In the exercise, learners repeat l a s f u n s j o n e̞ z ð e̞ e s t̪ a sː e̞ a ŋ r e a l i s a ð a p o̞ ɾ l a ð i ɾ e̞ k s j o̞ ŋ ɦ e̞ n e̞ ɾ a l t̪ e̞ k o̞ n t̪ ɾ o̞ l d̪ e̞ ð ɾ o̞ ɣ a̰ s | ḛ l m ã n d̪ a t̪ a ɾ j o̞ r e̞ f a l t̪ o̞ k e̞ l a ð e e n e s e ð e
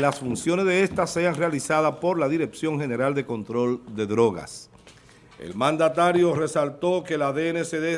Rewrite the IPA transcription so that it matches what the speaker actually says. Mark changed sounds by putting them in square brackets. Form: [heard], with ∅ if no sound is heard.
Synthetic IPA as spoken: l a s f u n s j o n e̞ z ð e̞ e s t̪ a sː e̞ a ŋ r e a l i s a ð a p o̞ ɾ l a ð i ɾ e̞ k s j o̞ ŋ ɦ e̞ n e̞ ɾ a l [d̪] e̞ k o̞ n t̪ ɾ o̞ l d̪ e̞ ð ɾ o̞ ɣ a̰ s | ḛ l m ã n d̪ a t̪ a ɾ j o̞ r e̞ [s] a l t̪ o̞ k e̞ l a ð e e n e s e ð e